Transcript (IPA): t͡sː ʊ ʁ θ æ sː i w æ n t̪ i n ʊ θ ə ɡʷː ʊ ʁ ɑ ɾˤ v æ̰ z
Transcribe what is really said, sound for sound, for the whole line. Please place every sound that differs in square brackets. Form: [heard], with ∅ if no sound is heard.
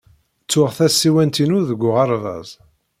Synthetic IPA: t͡sː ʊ ʁ θ æ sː i w æ n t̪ i n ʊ [ð] ə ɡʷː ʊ ʁ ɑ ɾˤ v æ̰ z